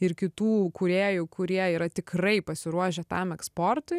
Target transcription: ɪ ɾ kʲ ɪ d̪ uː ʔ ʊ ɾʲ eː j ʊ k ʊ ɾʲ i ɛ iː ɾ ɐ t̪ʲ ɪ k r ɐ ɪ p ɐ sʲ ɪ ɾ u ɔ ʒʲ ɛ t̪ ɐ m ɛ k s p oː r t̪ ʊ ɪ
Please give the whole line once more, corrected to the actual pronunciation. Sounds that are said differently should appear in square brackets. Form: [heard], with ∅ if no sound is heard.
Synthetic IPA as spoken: ɪ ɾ kʲ ɪ [t̪] uː [k] ʊ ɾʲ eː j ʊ k ʊ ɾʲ i ɛ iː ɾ ɐ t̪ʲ ɪ k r ɐ ɪ p ɐ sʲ ɪ ɾ u ɔ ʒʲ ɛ t̪ ɐ m ɛ k s p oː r t̪ ʊ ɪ